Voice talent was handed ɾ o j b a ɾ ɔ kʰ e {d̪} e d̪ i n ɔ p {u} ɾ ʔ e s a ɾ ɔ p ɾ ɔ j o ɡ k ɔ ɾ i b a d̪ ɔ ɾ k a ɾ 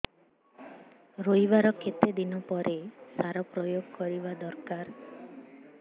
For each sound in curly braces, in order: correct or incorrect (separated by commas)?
incorrect, incorrect